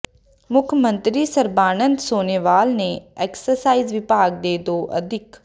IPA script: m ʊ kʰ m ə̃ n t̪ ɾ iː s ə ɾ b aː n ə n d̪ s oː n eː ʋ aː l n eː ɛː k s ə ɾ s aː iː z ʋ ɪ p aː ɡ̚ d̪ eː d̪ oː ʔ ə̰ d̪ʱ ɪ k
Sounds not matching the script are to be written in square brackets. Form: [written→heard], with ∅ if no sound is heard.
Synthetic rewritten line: m ʊ kʰ m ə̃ n t̪ ɾ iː s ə ɾ b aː n ə n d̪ s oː n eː ʋ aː l n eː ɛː k s ə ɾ s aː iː z ʋ ɪ p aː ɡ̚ d̪ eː d̪ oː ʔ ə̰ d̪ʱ ɪ k